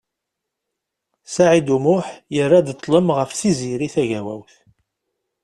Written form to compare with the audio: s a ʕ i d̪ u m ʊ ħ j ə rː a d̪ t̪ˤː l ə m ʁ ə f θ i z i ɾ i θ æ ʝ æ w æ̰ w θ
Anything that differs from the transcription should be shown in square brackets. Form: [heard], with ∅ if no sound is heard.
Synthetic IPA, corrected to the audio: s a ʕ i d̪ u m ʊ ħ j ə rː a d̪ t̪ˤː l ə m ʁ ə f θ i z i ɾ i θ æ ʝ æ w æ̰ w θ